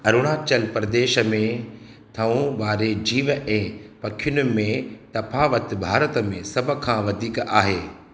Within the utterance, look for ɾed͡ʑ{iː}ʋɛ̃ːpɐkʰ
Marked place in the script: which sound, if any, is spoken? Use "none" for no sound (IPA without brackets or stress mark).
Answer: iː